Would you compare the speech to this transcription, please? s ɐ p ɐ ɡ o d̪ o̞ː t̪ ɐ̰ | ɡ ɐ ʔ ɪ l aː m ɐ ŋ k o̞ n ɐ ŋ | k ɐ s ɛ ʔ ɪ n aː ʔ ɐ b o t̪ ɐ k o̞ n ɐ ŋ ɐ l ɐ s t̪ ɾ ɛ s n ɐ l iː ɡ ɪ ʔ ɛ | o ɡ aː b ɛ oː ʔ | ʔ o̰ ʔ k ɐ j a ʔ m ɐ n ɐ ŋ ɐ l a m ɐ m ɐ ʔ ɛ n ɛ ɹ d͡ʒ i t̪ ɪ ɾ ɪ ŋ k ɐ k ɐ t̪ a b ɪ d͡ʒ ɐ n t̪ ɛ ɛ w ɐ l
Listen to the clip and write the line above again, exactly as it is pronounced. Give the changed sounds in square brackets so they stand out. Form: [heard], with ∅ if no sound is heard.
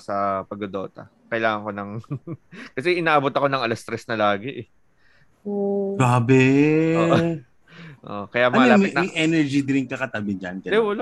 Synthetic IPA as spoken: s ɐ p ɐ ɡ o d̪ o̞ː t̪ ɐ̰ | [k] ɐ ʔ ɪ l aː [ŋ] ɐ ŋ k o̞ n ɐ ŋ | k ɐ s ɛ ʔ ɪ n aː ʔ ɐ b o t̪ ɐ k o̞ n ɐ ŋ ɐ l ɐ s t̪ ɾ ɛ s n ɐ l [aː] ɡ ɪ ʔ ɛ | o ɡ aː b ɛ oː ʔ | ʔ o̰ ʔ k ɐ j a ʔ m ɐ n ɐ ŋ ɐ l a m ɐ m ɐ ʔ ɛ n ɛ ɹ d͡ʒ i [d̪] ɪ ɾ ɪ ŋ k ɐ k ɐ t̪ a b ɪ d͡ʒ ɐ n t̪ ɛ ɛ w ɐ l